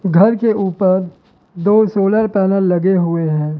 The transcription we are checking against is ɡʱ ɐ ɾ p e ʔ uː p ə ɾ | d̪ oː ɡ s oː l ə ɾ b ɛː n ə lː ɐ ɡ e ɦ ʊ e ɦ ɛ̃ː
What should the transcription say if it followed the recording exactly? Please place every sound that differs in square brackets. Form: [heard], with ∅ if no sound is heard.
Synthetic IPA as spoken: ɡʱ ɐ ɾ [k] e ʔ uː p ə ɾ | d̪ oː [∅] s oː l ə ɾ [p] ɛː n ə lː ɐ ɡ e ɦ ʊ e ɦ ɛ̃ː